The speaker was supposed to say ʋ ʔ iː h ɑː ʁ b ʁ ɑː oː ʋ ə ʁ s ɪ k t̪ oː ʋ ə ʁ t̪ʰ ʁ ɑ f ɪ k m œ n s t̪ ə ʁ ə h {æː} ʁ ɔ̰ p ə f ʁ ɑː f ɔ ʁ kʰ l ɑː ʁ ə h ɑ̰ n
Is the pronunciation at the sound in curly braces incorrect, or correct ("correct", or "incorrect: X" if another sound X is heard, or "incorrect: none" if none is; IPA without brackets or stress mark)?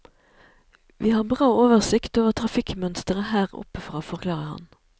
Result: correct